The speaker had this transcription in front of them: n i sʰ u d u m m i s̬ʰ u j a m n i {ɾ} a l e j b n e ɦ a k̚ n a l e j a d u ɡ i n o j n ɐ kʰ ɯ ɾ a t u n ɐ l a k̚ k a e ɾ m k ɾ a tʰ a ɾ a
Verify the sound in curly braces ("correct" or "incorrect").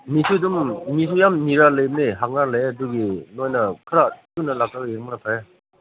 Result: correct